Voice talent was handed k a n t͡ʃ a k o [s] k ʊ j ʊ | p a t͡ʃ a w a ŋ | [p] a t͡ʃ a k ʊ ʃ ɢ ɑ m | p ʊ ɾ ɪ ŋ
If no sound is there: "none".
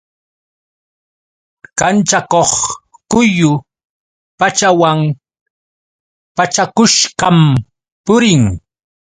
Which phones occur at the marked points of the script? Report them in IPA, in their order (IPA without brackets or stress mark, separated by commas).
χ, p